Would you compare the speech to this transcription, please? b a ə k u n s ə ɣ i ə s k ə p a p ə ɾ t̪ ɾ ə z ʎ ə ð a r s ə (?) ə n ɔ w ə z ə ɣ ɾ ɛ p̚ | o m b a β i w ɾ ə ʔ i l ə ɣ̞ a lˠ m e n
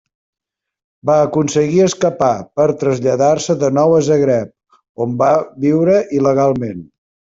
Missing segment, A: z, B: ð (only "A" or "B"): B